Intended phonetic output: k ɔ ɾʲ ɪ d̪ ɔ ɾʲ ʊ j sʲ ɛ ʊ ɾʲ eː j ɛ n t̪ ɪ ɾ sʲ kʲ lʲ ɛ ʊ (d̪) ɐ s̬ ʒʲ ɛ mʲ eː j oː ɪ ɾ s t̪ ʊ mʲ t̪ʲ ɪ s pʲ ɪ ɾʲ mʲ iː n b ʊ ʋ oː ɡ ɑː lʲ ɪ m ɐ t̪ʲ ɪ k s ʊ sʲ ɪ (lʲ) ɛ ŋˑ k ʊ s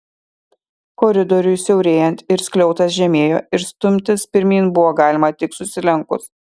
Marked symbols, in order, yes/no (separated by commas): no, yes